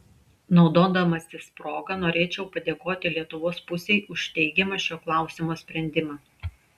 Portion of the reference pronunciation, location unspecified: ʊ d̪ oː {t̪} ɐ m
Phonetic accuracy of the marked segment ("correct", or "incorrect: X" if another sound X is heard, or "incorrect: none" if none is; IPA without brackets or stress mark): incorrect: d̪